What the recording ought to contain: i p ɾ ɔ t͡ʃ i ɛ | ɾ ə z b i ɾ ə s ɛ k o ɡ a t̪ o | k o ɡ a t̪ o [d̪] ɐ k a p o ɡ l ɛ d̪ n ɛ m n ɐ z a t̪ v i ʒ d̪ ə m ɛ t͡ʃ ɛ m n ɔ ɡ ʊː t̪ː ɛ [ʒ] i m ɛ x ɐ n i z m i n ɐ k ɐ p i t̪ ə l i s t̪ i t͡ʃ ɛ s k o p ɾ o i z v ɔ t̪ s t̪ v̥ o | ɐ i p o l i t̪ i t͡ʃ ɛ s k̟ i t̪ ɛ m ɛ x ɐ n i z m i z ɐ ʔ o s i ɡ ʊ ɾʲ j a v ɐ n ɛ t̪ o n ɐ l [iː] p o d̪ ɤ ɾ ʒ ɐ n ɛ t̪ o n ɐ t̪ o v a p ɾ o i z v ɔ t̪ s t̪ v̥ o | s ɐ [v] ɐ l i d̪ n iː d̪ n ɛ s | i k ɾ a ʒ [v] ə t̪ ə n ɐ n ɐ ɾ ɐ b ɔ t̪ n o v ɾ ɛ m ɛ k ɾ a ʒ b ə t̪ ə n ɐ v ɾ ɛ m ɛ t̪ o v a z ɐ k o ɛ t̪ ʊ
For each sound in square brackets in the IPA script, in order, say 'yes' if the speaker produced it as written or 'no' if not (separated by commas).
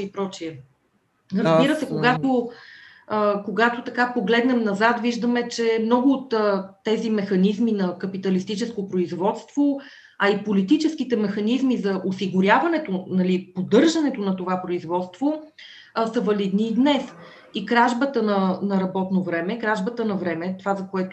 no, no, no, yes, no